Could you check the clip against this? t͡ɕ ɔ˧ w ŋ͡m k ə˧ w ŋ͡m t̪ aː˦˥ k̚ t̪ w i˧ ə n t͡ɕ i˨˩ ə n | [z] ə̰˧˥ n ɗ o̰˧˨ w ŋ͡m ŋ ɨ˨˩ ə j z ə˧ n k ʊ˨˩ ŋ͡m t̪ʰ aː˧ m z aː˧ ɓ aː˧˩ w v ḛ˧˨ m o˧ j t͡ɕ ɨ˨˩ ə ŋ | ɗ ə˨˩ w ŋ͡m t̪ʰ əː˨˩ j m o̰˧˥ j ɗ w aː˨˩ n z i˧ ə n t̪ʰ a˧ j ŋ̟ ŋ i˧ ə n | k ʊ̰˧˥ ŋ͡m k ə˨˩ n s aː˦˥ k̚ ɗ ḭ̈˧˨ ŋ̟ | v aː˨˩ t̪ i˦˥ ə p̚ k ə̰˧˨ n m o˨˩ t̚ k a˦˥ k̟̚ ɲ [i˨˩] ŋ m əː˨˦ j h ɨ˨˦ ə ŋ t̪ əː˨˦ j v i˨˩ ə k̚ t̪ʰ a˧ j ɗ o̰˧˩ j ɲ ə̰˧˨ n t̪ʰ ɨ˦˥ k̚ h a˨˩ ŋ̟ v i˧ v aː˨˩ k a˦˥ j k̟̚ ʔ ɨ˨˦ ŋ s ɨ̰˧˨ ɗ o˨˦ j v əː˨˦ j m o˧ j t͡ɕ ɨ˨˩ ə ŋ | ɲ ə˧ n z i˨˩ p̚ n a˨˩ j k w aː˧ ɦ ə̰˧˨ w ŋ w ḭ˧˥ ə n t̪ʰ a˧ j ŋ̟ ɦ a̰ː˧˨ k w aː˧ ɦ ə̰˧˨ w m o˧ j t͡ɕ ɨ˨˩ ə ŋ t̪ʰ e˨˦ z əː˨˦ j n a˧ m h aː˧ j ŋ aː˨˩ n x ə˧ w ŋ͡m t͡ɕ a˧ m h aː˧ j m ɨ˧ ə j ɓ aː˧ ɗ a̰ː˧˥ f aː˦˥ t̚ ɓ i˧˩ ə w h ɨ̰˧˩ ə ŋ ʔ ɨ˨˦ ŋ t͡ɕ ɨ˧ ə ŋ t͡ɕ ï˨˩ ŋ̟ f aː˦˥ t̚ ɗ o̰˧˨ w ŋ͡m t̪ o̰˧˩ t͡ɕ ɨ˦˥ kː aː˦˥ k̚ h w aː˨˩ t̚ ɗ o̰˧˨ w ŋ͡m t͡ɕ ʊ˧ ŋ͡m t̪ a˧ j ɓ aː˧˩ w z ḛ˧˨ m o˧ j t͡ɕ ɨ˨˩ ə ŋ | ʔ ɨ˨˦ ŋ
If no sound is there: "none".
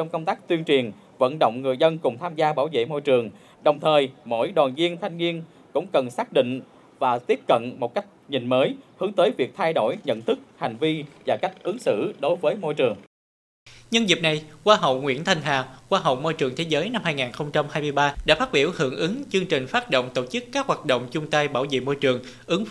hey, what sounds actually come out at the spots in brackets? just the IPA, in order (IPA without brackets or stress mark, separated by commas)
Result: v, i˨˩